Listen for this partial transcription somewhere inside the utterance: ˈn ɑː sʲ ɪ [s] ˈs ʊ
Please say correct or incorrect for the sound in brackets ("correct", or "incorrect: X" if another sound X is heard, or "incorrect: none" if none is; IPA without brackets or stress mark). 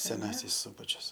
correct